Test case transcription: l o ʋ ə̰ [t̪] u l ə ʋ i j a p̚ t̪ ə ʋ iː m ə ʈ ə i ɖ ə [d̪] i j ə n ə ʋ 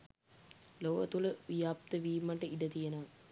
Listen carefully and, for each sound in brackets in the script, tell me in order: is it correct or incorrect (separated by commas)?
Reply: correct, incorrect